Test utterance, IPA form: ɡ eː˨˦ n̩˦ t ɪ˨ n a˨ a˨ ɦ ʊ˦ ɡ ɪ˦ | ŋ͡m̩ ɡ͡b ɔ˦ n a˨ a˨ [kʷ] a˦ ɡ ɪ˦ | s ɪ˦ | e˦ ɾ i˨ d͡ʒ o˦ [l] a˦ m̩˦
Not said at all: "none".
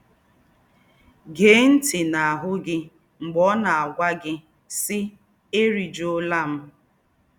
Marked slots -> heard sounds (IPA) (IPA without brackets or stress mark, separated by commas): ɡʷ, l